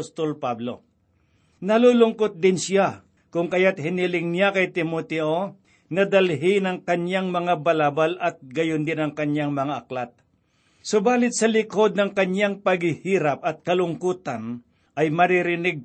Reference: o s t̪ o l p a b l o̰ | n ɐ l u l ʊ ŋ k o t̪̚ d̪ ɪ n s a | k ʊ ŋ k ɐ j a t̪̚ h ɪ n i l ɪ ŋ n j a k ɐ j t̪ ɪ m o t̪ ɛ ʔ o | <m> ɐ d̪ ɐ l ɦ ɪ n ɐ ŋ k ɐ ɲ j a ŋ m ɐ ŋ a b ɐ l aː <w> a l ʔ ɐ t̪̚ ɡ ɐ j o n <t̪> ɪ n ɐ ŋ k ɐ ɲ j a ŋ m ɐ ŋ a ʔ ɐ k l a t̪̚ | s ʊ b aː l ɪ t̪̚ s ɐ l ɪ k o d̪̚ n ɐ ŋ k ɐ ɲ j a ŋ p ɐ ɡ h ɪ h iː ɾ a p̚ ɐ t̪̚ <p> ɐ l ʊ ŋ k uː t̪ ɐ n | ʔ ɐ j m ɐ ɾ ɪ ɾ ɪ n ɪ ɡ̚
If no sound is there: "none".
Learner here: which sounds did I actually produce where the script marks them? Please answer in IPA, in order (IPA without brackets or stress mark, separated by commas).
n, b, d̪, k